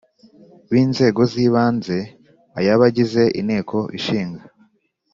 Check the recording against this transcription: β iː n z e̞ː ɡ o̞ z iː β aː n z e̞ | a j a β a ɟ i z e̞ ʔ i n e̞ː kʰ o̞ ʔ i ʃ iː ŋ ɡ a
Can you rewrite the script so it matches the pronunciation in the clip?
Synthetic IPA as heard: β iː n z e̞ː ɡ o̞ z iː β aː n z e̞ | a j a β a ɟ i z e̞ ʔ i n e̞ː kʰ o̞ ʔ i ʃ iː ŋ ɡ a